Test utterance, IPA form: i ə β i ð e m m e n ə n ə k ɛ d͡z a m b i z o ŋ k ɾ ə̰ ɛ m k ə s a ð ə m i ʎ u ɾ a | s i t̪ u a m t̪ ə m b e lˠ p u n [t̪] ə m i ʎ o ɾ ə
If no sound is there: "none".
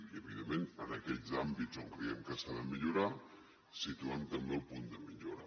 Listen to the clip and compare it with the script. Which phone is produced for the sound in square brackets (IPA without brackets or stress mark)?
d̪